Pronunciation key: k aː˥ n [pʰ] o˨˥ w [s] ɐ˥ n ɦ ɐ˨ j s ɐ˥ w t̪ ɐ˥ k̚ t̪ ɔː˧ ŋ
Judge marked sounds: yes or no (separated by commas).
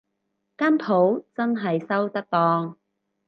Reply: yes, no